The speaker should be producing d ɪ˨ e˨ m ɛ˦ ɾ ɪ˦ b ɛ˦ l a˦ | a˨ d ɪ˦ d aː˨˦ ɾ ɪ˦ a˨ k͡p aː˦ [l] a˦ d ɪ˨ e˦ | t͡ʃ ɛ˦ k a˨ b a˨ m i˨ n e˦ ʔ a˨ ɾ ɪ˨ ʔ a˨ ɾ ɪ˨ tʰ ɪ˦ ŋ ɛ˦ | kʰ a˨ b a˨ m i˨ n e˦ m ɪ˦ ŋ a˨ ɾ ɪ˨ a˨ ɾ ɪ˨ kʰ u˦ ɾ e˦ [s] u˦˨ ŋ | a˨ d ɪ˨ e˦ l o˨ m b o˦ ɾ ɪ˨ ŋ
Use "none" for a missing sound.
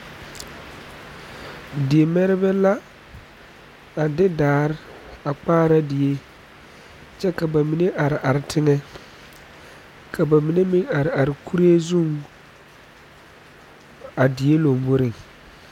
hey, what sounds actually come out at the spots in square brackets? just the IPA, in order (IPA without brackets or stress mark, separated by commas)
ɾ, z